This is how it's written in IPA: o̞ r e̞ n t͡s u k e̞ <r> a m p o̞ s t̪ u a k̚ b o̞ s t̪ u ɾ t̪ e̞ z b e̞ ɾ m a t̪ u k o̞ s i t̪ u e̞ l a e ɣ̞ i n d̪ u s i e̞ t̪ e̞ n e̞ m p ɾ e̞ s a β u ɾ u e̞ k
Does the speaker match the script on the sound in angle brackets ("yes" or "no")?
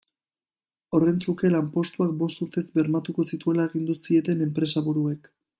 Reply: no